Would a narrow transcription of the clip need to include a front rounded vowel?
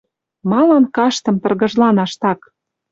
no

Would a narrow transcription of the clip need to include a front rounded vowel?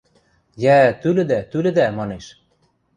yes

